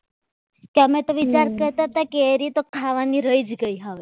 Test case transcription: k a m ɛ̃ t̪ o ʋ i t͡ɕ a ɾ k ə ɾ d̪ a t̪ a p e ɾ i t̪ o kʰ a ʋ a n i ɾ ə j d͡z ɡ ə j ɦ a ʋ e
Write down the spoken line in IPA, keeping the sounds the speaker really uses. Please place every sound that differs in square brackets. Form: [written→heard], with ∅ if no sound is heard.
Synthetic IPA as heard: k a m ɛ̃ t̪ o ʋ i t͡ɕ a ɾ k ə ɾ [d̪→t̪] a t̪ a [p→k] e ɾ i t̪ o kʰ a ʋ a n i ɾ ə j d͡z ɡ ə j ɦ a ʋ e